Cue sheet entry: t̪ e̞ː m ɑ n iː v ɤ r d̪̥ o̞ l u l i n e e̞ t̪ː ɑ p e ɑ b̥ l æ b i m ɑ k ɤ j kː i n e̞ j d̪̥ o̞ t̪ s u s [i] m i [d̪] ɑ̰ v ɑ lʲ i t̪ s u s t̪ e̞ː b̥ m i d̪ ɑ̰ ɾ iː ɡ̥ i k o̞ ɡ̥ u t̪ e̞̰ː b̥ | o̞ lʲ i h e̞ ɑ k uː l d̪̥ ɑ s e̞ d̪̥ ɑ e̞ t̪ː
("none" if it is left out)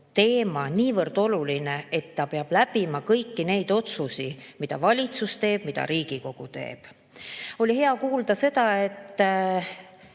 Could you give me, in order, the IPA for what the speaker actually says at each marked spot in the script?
i, d̪

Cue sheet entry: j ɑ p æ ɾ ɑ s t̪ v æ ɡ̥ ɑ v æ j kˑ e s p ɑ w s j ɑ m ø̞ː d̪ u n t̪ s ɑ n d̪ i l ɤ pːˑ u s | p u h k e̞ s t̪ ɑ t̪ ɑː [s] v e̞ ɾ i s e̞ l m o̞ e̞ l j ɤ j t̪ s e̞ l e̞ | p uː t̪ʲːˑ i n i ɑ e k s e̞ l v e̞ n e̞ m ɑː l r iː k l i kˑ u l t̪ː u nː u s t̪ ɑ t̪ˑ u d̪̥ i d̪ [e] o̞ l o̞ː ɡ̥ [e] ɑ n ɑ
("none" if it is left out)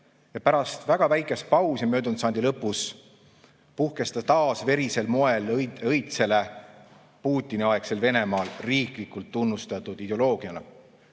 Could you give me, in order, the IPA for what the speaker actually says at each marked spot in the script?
s, e, i

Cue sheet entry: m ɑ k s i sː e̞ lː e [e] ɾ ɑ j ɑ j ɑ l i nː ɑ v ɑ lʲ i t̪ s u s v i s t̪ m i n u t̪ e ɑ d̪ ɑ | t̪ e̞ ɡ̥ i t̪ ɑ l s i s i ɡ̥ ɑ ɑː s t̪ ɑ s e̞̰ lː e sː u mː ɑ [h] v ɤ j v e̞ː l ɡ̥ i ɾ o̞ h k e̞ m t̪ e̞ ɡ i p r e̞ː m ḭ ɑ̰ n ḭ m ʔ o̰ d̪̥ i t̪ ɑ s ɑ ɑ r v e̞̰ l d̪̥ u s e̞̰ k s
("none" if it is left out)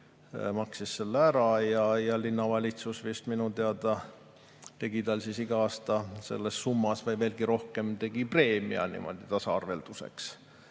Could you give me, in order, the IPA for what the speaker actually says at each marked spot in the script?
æ, s

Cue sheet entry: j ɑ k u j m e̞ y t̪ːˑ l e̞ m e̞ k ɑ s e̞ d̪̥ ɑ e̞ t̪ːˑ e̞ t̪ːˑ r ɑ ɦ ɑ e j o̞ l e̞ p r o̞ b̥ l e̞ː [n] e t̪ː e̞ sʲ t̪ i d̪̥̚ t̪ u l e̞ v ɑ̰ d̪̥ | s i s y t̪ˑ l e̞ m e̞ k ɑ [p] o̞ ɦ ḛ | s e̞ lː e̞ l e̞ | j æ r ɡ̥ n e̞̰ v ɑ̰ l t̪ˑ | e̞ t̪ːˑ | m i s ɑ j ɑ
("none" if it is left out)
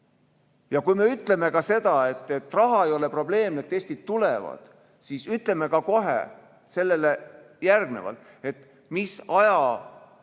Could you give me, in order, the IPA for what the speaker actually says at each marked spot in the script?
m, k

